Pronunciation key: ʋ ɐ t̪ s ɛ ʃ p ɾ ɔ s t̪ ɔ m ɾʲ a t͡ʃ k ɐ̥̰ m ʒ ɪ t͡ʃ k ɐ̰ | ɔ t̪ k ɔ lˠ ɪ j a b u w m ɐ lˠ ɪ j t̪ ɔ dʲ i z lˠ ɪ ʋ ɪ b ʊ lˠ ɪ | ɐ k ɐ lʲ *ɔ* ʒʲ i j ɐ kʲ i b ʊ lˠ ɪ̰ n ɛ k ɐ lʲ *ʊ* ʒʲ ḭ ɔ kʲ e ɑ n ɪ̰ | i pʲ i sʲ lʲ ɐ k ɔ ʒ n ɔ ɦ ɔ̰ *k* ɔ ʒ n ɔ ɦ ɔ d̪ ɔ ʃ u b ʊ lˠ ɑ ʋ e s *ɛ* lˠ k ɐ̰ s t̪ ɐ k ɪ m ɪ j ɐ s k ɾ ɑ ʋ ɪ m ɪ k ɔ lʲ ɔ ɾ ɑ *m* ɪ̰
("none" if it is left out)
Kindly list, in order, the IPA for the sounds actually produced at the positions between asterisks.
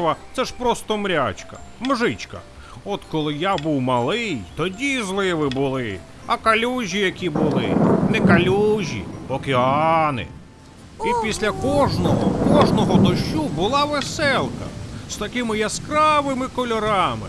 u, u, k, ɛ, m

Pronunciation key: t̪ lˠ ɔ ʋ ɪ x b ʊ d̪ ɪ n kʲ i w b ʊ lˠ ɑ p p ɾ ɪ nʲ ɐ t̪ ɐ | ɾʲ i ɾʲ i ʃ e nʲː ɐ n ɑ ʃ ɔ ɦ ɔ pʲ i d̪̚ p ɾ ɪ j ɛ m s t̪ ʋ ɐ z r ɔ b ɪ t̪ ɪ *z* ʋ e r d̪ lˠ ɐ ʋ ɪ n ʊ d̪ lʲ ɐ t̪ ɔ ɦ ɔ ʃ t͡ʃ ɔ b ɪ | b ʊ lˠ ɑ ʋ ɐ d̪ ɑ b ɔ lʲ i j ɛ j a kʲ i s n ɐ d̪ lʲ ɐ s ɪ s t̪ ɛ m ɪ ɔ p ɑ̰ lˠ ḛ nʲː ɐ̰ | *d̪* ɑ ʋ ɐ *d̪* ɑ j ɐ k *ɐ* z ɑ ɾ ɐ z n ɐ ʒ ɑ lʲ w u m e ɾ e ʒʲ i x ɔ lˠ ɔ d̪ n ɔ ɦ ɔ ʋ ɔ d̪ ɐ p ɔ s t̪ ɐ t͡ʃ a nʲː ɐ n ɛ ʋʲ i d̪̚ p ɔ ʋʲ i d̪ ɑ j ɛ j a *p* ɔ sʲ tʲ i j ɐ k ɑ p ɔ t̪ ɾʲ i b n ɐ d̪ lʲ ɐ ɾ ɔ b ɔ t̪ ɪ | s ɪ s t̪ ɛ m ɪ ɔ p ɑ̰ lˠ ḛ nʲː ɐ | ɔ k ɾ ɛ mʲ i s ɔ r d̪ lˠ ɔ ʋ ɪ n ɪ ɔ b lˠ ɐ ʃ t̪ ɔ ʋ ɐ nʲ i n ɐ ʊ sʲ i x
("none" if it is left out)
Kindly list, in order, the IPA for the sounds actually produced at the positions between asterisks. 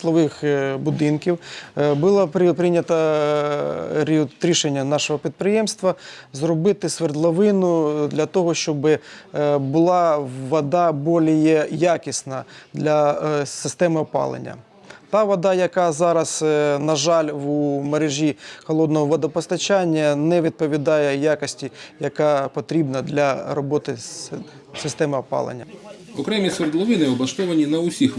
s, t̪, d̪, ɑ, k

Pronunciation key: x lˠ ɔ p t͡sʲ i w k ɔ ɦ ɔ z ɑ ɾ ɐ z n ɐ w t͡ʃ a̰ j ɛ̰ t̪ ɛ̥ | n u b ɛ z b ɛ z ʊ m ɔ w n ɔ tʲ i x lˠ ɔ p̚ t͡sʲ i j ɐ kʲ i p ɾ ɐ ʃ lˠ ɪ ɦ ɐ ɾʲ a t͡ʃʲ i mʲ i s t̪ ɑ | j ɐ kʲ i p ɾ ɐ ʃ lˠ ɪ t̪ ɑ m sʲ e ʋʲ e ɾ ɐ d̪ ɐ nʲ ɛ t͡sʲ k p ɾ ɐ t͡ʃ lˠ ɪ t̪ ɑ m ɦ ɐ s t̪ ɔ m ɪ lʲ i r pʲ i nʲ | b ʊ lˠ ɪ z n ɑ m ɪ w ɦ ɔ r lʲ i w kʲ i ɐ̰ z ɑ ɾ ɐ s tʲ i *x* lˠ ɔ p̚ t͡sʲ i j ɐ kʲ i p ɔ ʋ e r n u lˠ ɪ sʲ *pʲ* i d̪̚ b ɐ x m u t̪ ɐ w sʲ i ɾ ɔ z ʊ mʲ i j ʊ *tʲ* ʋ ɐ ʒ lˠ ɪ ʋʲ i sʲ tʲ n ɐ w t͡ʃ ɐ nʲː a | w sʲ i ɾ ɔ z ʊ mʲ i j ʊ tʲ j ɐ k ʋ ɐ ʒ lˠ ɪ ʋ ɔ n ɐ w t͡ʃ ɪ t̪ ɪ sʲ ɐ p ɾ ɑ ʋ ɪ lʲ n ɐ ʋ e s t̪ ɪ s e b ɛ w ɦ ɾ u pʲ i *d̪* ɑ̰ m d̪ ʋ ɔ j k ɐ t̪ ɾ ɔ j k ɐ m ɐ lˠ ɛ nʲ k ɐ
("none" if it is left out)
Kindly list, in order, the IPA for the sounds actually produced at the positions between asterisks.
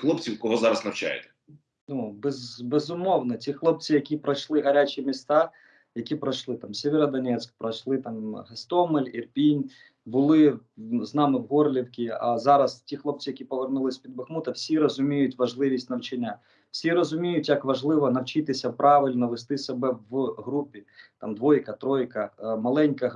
x, pʲ, tʲ, t̪

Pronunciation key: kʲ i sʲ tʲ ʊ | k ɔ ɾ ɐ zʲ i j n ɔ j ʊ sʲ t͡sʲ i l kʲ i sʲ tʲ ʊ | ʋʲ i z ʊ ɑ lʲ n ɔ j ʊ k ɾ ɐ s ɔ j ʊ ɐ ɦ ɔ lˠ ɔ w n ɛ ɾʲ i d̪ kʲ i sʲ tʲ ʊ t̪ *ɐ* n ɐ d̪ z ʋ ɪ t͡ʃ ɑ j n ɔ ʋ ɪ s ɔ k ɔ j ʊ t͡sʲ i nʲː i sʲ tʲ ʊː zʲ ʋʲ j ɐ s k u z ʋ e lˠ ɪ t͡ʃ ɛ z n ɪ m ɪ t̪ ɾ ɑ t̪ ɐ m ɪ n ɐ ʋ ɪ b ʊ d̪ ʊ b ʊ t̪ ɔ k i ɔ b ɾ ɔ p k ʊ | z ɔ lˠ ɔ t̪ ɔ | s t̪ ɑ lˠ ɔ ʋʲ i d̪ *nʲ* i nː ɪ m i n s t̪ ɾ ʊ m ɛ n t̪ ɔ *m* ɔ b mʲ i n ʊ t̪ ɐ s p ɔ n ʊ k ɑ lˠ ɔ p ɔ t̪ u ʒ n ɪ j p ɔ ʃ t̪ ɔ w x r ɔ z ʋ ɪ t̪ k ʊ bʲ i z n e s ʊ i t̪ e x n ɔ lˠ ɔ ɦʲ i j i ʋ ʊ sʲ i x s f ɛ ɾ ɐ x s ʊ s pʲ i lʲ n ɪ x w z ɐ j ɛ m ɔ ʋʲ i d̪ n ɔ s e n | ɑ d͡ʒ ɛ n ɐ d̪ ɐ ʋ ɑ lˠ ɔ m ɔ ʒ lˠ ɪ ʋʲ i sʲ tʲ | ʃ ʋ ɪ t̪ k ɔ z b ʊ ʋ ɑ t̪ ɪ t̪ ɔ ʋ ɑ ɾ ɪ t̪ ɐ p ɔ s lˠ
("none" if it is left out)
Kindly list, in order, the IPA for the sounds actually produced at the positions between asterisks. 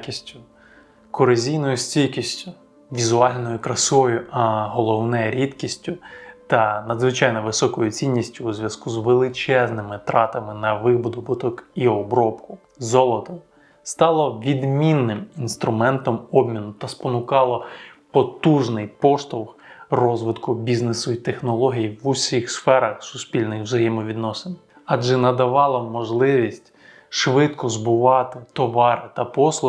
ɐ, mʲ, m

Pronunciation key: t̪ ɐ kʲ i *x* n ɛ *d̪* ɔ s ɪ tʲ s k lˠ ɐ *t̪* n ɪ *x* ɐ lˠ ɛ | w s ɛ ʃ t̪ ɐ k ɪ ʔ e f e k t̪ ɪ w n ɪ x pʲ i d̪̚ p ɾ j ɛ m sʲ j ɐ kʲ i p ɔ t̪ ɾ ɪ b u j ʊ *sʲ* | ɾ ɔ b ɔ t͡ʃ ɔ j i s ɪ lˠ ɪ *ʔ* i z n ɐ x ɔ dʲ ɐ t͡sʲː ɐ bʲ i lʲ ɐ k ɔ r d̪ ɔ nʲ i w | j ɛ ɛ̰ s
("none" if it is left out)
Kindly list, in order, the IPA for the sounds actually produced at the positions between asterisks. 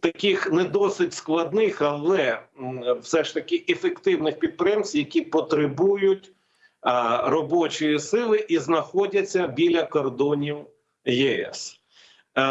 x, d̪, d̪, x, tʲ, ʔ

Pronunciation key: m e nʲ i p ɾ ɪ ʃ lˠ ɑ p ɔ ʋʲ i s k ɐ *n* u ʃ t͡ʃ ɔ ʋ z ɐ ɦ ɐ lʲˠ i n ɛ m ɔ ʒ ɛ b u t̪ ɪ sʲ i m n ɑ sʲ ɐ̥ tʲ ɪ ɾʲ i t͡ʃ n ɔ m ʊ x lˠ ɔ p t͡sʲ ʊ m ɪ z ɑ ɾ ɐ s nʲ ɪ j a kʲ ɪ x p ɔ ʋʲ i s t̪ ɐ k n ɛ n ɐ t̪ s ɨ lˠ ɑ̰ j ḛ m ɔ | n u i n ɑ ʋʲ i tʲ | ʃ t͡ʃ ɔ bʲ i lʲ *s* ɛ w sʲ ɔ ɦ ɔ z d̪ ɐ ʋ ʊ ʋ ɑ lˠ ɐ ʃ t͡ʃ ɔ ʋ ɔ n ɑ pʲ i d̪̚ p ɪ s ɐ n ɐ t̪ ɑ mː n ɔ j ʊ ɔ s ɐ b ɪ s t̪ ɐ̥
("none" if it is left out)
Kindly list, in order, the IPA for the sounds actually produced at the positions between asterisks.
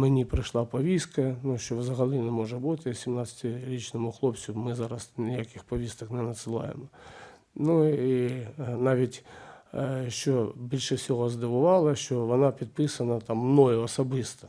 n, ʃ

